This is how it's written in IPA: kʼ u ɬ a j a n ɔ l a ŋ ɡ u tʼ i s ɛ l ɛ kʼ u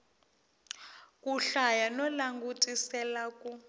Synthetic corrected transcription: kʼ u ɬ a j a n ɔ l a ŋ ɡ u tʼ i s ɛ l a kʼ u